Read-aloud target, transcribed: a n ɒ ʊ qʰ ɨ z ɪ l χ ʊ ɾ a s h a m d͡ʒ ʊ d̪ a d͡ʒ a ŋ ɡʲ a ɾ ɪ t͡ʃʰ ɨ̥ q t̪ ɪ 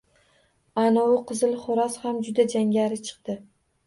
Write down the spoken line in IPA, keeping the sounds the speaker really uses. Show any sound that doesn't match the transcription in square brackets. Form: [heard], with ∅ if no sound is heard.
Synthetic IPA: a n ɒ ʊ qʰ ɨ z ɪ l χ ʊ ɾ a s h a m d͡ʒ ʊ d̪ a d͡ʒ a ŋ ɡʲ a ɾ ɪ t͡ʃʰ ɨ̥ q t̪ ɪ